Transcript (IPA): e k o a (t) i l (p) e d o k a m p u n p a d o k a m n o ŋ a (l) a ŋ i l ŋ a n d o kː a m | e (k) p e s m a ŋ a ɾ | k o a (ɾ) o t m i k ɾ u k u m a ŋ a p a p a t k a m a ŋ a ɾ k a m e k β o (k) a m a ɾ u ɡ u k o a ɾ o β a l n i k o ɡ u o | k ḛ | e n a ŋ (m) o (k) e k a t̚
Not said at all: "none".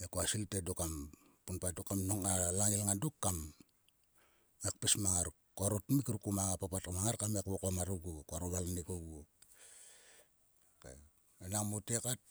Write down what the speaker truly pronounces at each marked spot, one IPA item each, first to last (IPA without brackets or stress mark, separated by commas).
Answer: s, t, l, k, ɾ, k, m, t